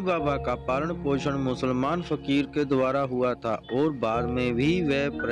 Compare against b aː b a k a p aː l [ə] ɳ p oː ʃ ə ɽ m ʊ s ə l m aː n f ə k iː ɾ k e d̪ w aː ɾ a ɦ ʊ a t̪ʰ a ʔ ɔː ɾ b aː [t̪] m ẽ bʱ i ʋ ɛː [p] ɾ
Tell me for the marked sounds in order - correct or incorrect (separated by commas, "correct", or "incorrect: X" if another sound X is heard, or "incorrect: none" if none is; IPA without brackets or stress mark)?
correct, incorrect: d̪, correct